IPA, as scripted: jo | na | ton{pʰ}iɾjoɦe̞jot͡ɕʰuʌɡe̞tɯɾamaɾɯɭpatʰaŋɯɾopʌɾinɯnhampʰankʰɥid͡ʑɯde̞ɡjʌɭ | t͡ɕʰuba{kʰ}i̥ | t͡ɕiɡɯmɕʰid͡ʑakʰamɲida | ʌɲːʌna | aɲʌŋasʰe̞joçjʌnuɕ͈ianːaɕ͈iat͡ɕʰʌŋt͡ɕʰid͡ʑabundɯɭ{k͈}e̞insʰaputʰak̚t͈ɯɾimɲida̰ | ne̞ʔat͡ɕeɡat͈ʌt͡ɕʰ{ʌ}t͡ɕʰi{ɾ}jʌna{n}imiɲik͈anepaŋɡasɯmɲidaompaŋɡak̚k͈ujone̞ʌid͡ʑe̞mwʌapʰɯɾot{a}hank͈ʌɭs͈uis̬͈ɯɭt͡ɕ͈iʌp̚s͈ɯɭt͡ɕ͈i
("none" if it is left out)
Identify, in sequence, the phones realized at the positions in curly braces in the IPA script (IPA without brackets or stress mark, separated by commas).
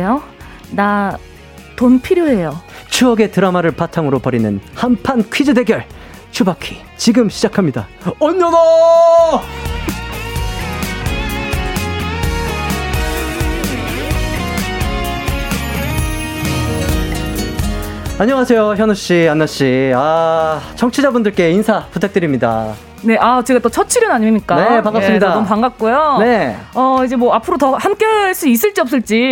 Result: pʰ, kʰ, k͈, ʌ, ɾ, ɲ, ʌ